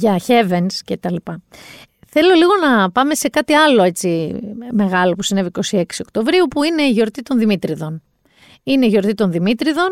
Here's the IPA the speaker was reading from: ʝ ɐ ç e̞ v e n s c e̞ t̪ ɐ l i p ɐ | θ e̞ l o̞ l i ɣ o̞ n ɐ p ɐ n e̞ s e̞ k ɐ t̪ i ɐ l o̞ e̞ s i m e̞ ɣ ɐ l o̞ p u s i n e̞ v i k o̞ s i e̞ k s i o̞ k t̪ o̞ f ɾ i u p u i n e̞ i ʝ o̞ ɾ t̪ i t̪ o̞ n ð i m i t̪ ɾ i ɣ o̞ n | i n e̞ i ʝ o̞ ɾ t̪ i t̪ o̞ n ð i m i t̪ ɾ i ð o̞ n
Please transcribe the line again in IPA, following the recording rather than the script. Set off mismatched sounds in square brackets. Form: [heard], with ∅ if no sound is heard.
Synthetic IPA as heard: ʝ ɐ ç e̞ v e n s c e̞ t̪ ɐ l i p ɐ | θ e̞ l o̞ l i ɣ o̞ n ɐ p ɐ [m] e̞ s e̞ k ɐ t̪ i ɐ l o̞ e̞ [t͡s] i m e̞ ɣ ɐ l o̞ p u s i n e̞ v i k o̞ s i e̞ k s i o̞ k t̪ o̞ [v] ɾ i u p u i n e̞ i ʝ o̞ ɾ t̪ i t̪ o̞ n ð i m i t̪ ɾ i [ð] o̞ n | i n e̞ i ʝ o̞ ɾ t̪ i t̪ o̞ n ð i m i t̪ ɾ i ð o̞ n